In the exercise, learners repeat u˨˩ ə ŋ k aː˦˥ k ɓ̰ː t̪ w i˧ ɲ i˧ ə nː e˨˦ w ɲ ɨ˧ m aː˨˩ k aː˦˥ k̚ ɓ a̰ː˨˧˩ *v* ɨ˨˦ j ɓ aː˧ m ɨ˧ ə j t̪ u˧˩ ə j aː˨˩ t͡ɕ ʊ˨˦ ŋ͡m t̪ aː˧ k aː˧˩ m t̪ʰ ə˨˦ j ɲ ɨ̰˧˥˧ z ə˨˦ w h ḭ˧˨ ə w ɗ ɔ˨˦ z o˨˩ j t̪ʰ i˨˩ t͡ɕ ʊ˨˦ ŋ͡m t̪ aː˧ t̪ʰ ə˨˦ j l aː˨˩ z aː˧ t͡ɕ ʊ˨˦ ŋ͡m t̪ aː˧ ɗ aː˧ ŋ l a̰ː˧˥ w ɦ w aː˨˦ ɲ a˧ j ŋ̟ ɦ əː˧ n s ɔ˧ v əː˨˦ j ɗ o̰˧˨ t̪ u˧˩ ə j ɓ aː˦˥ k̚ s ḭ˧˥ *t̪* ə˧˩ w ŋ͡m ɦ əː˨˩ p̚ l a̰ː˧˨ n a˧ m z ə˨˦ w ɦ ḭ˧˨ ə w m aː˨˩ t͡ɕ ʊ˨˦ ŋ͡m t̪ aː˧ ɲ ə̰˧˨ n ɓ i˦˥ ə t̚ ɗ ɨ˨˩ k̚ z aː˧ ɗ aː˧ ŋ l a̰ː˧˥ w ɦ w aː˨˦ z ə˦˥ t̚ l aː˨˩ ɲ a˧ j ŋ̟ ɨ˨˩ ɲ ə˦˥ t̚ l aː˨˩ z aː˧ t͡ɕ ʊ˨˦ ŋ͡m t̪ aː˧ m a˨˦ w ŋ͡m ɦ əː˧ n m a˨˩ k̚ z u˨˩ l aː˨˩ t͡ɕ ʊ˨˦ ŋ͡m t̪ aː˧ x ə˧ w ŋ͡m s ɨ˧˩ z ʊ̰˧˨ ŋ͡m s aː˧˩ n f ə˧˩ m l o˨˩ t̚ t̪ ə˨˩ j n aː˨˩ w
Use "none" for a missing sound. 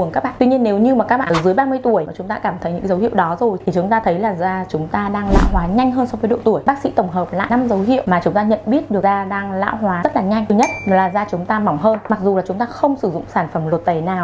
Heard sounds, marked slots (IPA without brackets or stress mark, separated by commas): z, t̪